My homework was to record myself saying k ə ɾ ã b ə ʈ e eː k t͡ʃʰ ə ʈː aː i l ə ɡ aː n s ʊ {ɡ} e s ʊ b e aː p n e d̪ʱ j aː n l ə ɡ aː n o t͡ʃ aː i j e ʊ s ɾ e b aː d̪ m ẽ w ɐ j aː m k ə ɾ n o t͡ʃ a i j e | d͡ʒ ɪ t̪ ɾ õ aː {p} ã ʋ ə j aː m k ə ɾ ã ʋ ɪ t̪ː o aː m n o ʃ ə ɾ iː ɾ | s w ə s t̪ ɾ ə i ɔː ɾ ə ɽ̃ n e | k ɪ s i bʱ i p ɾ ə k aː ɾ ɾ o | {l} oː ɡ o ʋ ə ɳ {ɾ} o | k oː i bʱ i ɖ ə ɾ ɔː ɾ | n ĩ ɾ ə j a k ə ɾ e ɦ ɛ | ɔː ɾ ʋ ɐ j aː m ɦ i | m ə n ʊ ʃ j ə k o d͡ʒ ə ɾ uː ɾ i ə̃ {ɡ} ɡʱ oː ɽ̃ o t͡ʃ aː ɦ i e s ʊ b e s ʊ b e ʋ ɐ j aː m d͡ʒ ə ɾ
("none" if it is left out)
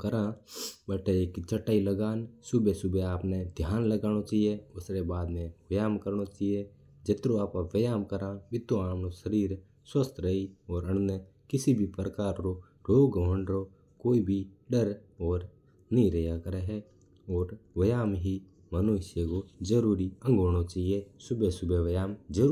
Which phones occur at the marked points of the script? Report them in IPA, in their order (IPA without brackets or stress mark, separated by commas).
b, p, ɾ, ɾ, ŋ